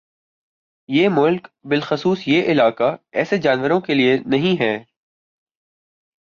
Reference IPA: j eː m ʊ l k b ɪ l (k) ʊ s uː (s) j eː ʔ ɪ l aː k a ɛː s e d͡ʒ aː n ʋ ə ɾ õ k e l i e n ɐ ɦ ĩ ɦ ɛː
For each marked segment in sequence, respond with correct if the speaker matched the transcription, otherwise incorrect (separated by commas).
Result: incorrect, correct